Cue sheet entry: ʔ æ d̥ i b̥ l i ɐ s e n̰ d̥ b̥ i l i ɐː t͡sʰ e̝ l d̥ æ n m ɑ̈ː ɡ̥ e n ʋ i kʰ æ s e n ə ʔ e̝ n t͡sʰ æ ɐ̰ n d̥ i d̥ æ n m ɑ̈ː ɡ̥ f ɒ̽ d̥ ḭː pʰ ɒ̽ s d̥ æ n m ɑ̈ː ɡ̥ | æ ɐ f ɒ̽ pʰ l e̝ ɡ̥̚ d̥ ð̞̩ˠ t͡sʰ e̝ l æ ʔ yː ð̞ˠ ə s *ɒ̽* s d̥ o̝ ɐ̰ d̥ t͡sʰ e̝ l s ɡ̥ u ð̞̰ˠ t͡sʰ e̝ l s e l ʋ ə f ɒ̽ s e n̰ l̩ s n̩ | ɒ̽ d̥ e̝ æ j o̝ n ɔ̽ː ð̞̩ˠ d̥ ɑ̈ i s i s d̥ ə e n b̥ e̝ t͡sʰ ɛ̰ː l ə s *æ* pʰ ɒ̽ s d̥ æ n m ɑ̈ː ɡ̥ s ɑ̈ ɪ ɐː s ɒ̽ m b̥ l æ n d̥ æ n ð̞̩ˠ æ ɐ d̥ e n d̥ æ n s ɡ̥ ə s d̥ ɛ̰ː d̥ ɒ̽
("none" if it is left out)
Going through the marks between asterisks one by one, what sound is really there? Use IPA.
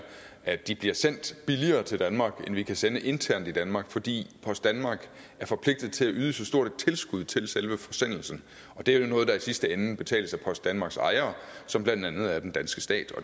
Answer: ɒ̽, æ

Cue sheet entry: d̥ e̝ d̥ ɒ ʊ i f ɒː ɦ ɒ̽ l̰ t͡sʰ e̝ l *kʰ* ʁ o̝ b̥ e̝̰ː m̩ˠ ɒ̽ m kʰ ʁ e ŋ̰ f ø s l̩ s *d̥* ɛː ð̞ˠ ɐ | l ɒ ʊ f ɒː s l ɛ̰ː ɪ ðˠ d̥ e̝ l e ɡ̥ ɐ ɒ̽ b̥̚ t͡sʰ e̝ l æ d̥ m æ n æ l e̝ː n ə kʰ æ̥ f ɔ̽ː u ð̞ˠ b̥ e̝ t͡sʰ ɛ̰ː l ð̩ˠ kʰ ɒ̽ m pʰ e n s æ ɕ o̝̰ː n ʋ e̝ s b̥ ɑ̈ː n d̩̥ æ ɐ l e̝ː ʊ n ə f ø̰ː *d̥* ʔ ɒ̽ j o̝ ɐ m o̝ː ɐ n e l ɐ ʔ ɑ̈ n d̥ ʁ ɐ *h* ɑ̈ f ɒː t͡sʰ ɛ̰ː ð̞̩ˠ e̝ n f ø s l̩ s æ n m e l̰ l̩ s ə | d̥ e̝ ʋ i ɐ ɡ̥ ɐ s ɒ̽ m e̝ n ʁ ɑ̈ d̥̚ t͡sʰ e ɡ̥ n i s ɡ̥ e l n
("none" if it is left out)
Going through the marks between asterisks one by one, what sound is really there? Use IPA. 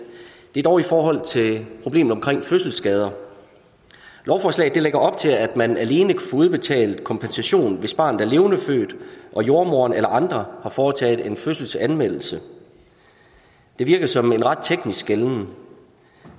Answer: pʰ, ɡ̥, d̥, h

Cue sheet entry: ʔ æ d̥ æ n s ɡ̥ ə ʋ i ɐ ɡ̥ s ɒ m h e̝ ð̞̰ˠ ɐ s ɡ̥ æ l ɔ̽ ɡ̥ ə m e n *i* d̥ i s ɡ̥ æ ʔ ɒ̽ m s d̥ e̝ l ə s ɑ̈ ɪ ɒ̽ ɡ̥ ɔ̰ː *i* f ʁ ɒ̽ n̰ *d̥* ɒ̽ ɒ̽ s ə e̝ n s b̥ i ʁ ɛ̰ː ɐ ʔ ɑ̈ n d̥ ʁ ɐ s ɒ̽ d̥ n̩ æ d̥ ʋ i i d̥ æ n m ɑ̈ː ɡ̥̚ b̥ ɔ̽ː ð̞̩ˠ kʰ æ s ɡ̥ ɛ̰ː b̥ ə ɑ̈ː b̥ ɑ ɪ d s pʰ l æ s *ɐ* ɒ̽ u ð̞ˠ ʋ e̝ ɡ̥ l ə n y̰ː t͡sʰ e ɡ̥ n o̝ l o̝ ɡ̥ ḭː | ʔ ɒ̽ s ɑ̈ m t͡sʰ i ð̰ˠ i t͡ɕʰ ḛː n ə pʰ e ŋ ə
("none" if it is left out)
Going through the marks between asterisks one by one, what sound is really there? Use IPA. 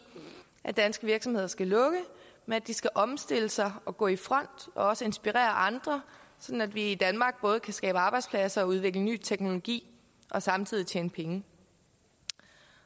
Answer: æ, i, d̥, ɐ

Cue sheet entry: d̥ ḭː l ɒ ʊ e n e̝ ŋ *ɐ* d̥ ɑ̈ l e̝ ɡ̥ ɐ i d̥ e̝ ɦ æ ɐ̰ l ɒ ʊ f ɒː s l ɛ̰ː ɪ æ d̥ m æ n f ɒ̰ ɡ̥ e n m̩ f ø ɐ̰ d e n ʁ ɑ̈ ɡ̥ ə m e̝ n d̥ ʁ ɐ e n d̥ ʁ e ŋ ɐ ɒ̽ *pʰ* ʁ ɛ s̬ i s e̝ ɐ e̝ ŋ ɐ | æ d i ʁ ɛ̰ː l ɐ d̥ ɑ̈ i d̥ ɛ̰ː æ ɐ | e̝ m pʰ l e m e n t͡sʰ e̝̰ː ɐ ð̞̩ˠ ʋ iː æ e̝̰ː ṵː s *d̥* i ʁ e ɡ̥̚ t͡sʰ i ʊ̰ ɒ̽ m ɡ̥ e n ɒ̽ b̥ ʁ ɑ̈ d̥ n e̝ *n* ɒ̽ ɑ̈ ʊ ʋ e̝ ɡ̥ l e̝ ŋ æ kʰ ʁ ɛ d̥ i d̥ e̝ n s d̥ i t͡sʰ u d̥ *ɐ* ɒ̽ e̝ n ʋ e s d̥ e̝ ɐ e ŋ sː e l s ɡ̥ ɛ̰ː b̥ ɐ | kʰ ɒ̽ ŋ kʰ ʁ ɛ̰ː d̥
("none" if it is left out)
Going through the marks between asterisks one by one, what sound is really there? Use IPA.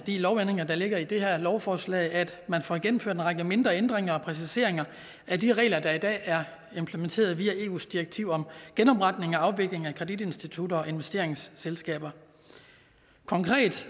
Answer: ɐ, pʰ, d̥, ŋ, ɐ

